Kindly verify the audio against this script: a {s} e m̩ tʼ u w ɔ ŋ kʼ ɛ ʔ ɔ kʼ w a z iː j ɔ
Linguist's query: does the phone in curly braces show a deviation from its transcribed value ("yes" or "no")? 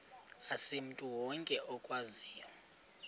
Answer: no